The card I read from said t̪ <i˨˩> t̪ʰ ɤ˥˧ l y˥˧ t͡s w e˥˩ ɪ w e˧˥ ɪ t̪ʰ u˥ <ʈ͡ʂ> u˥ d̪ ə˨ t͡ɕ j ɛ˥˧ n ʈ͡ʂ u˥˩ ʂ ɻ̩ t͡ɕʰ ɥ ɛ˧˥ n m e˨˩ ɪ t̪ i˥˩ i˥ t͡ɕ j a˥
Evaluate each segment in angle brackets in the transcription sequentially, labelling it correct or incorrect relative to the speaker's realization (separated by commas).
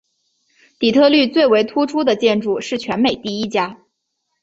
correct, incorrect